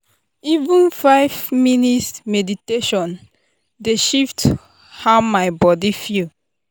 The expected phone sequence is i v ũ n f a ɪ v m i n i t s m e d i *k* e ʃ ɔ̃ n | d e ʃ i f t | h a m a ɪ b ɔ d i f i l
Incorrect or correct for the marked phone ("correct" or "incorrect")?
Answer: incorrect